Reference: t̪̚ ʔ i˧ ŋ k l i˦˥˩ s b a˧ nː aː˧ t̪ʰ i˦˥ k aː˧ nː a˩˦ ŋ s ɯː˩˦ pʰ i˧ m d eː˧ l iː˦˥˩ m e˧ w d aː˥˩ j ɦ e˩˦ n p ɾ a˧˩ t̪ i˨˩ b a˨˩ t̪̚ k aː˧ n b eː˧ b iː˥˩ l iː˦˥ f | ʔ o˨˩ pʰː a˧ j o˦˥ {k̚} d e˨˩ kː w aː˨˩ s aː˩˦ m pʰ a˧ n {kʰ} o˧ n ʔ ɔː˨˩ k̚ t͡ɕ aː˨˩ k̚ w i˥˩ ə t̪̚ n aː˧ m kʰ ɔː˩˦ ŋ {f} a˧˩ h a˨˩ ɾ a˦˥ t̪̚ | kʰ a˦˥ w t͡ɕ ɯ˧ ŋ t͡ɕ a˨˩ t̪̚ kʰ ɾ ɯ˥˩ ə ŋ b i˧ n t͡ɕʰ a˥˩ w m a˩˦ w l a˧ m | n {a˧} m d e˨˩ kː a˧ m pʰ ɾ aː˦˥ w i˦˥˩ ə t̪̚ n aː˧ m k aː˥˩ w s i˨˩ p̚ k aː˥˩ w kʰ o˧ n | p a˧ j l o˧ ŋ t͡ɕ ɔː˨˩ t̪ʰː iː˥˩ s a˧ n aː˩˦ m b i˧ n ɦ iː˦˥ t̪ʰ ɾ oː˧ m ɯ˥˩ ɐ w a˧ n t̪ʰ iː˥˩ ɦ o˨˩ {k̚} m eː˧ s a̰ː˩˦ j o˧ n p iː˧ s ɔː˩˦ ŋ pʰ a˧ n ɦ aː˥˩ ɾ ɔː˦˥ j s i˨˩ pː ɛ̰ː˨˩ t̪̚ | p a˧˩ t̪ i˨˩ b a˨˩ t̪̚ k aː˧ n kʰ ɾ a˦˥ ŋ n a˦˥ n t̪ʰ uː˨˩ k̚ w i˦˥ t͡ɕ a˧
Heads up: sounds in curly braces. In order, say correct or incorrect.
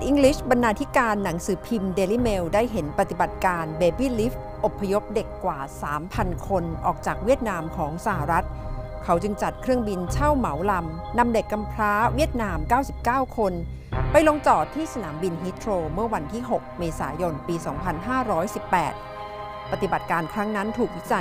incorrect, correct, incorrect, correct, correct

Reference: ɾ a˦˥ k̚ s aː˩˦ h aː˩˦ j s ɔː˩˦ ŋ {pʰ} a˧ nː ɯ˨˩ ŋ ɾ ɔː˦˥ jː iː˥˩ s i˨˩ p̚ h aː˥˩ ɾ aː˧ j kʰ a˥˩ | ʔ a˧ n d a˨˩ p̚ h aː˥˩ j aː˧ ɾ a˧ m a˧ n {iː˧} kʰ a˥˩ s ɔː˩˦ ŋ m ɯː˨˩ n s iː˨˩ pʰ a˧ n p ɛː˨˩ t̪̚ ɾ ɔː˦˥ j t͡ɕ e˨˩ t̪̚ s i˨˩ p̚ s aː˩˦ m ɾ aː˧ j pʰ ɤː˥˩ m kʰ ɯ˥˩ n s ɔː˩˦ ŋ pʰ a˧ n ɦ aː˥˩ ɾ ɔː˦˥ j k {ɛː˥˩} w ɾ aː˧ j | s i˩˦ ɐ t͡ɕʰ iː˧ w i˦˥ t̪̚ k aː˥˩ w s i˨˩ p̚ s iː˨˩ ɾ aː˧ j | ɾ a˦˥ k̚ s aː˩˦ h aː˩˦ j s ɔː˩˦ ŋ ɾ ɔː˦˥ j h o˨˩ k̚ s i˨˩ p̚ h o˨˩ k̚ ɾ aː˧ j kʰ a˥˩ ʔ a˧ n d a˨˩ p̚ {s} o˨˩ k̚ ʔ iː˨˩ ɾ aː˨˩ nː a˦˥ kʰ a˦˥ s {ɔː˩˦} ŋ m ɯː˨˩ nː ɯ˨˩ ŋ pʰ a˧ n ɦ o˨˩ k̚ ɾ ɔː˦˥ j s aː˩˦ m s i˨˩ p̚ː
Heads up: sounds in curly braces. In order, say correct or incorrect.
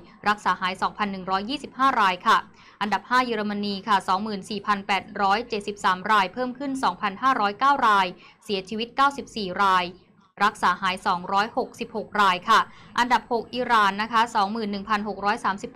correct, correct, incorrect, incorrect, correct

